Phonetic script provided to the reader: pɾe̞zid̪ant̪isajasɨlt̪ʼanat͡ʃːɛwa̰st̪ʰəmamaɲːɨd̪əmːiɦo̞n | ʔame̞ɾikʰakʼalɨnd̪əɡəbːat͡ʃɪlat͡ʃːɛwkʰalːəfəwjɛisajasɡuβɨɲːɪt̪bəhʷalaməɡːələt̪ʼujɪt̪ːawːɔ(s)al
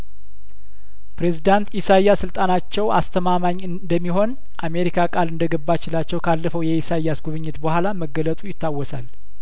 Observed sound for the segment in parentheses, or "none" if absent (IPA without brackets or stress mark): s